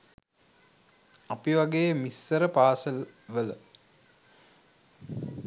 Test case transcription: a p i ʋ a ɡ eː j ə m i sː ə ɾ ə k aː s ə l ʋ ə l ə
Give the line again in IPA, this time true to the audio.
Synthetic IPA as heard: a p i ʋ a ɡ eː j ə m i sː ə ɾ ə p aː s ə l ʋ ə l ə